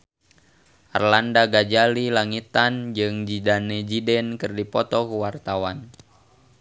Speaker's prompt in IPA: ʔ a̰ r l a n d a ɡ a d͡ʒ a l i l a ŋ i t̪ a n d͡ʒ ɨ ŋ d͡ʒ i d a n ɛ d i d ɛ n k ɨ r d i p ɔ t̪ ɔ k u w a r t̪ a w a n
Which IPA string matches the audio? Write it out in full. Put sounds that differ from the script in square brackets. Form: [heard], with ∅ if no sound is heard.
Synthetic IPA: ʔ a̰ r l a n d a ɡ a d͡ʒ a l i l a ŋ i t̪ a n d͡ʒ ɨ ŋ d͡ʒ i d a n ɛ [d͡ʒ] i d ɛ n k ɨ r d i p ɔ t̪ ɔ k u w a r t̪ a w a n